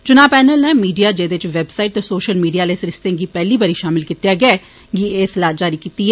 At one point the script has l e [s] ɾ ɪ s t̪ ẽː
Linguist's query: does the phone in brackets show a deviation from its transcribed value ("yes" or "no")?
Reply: no